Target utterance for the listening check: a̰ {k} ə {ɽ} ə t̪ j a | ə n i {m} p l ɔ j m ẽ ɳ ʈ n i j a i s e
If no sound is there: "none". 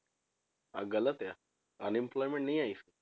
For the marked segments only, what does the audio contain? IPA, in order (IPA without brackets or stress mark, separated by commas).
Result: ɡ, l, m